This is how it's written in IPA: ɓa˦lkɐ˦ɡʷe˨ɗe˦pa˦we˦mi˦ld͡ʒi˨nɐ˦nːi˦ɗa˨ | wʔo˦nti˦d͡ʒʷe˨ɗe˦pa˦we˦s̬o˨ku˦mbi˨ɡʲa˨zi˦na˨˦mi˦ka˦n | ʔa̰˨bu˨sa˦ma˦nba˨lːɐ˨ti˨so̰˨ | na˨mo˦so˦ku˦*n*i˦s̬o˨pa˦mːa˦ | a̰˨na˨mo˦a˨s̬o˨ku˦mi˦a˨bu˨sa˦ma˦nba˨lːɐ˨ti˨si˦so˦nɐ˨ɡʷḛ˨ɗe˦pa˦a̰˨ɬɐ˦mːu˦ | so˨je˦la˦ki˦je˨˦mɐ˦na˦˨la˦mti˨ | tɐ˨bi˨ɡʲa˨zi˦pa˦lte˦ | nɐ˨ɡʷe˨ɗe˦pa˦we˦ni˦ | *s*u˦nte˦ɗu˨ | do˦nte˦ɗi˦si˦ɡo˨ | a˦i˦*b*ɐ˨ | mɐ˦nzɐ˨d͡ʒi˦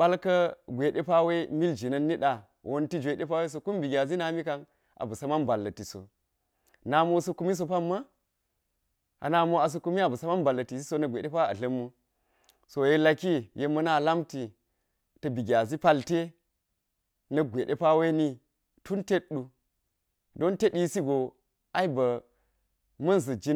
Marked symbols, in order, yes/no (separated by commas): no, no, yes